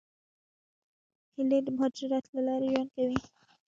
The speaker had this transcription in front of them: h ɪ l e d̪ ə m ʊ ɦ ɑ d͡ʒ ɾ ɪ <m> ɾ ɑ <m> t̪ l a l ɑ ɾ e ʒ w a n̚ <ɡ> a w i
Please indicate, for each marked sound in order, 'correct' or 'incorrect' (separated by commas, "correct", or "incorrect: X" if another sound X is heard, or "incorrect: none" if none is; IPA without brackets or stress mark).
incorrect: none, incorrect: none, incorrect: k